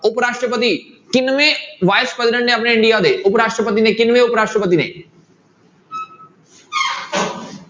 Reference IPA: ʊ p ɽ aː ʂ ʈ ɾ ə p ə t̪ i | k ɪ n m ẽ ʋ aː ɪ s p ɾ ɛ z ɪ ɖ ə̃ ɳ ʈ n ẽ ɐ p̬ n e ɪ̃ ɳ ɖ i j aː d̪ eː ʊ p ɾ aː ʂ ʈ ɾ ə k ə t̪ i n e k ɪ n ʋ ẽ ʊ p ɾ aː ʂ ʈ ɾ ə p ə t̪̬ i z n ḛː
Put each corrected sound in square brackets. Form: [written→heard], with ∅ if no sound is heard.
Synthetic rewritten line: ʊ p [ɽ→ɾ] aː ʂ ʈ ɾ ə p ə t̪ i | k ɪ n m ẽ ʋ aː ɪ s p ɾ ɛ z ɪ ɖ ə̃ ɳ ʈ n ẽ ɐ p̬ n e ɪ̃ ɳ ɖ i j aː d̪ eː ʊ p ɾ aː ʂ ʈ ɾ ə [k→p] ə t̪ i n e k ɪ n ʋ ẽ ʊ p ɾ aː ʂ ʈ ɾ ə p ə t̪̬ i [z→∅] n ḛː